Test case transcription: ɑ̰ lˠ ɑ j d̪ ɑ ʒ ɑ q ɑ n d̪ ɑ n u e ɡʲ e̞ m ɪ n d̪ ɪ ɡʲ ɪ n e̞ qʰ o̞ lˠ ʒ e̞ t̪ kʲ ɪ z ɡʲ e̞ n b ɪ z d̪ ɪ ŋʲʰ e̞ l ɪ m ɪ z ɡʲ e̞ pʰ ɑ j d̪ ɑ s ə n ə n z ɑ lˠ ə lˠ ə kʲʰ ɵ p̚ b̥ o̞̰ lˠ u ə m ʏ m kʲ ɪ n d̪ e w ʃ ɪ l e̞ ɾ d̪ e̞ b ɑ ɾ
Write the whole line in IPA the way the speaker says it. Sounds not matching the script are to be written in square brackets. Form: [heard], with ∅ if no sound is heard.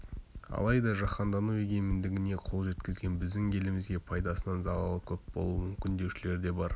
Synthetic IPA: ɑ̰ lˠ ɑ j d̪ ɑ ʒ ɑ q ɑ n d̪ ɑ n u e ɡʲ e̞ m ɪ n d̪ ɪ ɡʲ ɪ n e̞ qʰ o̞ lˠ ʒ e̞ t̪ kʲ ɪ z ɡʲ e̞ n b ɪ z d̪ ɪ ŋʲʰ e̞ l ɪ m ɪ z ɡʲ e̞ pʰ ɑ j d̪ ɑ s ə n [ɑ] n z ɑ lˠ [ɑ] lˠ ə kʲʰ ɵ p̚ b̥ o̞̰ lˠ u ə m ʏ m kʲ ɪ n d̪ e w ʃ ɪ l e̞ ɾ d̪ e̞ b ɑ ɾ

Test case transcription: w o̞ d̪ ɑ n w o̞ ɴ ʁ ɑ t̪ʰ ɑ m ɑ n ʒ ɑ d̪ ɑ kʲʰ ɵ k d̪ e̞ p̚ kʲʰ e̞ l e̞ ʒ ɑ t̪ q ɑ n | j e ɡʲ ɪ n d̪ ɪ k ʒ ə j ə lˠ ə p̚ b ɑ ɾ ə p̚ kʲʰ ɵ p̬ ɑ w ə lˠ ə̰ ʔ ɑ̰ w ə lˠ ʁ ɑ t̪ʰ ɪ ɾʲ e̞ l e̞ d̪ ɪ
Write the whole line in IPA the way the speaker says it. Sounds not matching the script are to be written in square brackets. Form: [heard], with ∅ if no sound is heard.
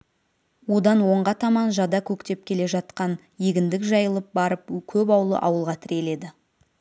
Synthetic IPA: w o̞ d̪ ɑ n w o̞ ɴ ʁ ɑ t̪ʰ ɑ m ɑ n ʒ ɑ d̪ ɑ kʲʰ ɵ k [t̪] e̞ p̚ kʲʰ e̞ l e̞ ʒ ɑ t̪ q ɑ n | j e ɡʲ ɪ n d̪ ɪ k ʒ [ɑ] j ə lˠ ə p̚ b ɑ ɾ ə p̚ kʲʰ ɵ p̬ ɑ w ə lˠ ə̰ ʔ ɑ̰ w ə lˠ ʁ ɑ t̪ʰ ɪ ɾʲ e̞ l e̞ d̪ ɪ

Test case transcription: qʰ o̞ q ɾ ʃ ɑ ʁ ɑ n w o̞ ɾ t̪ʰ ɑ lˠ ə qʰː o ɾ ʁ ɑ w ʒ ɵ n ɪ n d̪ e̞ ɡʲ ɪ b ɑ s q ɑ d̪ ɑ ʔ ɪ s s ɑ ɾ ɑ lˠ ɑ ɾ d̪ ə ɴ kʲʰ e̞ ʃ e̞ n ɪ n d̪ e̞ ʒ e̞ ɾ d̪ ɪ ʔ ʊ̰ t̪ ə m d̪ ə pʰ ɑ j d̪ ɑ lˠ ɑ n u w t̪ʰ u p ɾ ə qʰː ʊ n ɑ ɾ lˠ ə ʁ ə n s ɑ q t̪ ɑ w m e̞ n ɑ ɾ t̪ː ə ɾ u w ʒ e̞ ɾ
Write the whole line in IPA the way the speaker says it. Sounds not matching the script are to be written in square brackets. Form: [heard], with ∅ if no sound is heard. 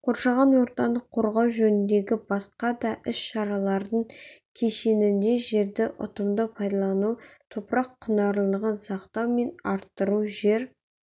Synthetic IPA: qʰ o̞ [∅] ɾ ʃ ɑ ʁ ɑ n w o̞ ɾ [t̪] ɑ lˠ ə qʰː o ɾ ʁ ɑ w ʒ ɵ n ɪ n d̪ e̞ ɡʲ ɪ b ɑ s q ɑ d̪ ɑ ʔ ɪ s [ʃ] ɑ ɾ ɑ lˠ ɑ ɾ d̪ ə ɴ kʲʰ e̞ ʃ e̞ n ɪ n d̪ e̞ ʒ e̞ ɾ d̪ ɪ ʔ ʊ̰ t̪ ə m d̪ ə pʰ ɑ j d̪ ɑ lˠ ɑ n u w t̪ʰ [o] p ɾ [ɑ] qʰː ʊ n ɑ ɾ lˠ ə ʁ ə n s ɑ q t̪ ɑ w m e̞ n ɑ ɾ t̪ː ə ɾ u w ʒ e̞ ɾ

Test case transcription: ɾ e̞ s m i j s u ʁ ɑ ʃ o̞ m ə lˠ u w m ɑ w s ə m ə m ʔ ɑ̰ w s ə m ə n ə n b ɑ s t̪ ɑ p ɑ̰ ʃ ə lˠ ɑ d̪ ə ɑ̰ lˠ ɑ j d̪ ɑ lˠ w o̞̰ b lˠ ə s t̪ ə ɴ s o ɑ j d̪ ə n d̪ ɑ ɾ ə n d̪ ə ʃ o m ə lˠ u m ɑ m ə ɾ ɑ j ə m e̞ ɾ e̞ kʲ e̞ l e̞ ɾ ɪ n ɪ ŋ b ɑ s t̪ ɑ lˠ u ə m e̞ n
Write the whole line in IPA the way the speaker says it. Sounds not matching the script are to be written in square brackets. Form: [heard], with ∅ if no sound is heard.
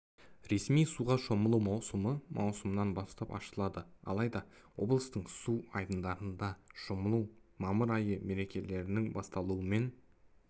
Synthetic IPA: ɾ e̞ s m i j s u ʁ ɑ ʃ o̞ m ə lˠ u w m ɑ w s ə m ə m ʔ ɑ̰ w s ə m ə n [ɑ] n b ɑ s t̪ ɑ p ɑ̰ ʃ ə lˠ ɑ d̪ ə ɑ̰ lˠ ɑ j d̪ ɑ [∅] w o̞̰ b lˠ ə s t̪ ə ɴ s [u] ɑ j d̪ ə n d̪ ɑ ɾ ə n d̪ [ɑ] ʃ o m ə lˠ u m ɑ m ə ɾ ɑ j ə m e̞ ɾ e̞ kʲ e̞ l e̞ ɾ ɪ n ɪ ŋ b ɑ s t̪ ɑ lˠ u ə m e̞ n

